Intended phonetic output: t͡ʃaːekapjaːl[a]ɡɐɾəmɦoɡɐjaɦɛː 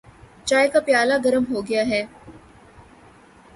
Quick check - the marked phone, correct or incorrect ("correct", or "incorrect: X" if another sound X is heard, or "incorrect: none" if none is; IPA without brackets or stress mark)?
correct